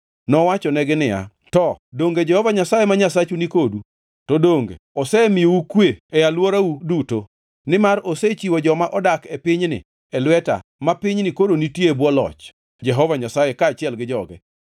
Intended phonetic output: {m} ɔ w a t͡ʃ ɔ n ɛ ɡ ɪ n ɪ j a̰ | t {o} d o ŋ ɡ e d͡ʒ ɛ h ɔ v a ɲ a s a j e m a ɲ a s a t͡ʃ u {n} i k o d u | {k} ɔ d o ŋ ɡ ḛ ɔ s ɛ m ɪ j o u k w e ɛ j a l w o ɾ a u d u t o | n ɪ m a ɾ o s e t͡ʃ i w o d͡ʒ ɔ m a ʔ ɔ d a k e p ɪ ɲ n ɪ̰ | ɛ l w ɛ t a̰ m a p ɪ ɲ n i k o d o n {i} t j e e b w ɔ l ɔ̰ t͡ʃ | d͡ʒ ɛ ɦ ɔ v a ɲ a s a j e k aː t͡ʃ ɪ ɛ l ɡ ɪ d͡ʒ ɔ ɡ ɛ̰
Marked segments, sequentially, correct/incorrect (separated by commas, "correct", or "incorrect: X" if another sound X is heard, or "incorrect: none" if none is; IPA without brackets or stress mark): incorrect: n, incorrect: ɔ, correct, incorrect: t, correct